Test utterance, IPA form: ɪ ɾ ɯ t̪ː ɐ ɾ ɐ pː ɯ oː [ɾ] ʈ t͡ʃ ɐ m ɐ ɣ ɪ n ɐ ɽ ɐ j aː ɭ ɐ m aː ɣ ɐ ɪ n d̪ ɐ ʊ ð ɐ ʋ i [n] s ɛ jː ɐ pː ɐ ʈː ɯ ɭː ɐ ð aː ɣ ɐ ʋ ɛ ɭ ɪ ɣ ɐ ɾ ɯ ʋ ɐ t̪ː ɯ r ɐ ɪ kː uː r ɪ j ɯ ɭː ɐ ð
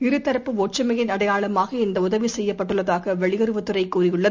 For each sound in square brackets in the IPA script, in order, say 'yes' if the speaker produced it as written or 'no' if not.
no, no

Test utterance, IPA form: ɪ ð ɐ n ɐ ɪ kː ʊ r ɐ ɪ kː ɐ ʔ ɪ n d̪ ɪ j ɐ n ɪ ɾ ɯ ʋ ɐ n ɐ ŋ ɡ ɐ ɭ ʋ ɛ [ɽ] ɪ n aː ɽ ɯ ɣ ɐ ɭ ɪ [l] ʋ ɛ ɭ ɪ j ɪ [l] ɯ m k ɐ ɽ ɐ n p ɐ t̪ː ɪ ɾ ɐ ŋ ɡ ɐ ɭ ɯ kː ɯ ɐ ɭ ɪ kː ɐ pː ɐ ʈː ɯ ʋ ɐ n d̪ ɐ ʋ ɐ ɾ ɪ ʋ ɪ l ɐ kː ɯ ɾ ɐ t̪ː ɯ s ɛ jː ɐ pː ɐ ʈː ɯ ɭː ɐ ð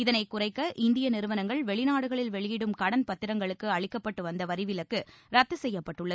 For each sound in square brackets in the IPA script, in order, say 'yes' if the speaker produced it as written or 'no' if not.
no, yes, no

